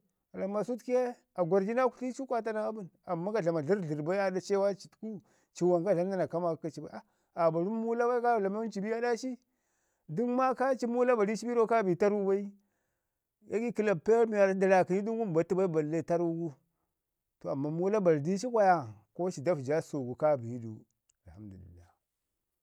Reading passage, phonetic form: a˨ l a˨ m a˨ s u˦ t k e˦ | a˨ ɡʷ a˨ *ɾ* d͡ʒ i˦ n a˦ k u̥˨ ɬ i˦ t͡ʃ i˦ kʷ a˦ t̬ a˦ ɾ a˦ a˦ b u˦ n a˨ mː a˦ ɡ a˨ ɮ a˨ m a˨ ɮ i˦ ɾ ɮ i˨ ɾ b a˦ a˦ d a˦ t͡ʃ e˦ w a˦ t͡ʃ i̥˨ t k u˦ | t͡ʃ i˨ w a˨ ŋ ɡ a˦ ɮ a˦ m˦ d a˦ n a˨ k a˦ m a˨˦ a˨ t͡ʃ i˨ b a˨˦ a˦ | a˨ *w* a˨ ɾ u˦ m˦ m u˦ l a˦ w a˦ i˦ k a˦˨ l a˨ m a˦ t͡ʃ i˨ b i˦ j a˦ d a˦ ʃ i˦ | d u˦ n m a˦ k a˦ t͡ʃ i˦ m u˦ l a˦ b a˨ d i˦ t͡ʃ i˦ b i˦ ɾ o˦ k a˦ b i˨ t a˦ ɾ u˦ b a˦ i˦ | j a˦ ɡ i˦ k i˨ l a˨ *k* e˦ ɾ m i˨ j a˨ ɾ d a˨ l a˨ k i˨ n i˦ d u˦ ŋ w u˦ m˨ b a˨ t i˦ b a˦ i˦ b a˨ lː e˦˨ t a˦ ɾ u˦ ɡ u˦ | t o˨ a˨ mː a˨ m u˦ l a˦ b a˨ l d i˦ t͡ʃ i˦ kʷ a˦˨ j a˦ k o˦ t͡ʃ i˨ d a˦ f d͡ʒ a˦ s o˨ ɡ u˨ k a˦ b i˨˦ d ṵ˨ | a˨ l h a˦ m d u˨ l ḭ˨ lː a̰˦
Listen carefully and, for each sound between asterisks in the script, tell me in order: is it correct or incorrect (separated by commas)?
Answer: correct, incorrect, incorrect